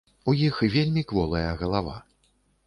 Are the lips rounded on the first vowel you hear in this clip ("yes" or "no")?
yes